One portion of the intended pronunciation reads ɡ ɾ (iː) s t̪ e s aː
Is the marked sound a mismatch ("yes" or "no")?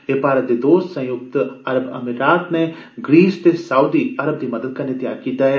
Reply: no